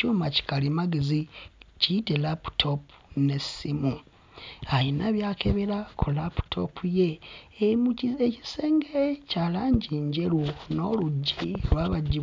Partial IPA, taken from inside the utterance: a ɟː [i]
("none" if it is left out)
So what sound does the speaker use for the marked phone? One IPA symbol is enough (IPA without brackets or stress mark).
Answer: i